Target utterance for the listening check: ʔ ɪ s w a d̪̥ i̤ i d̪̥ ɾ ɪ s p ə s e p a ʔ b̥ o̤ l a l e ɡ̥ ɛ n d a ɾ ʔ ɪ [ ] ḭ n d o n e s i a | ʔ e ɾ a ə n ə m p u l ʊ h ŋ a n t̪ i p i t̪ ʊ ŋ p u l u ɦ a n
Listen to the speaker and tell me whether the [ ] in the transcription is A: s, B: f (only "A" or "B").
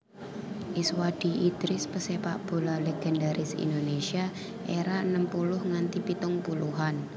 A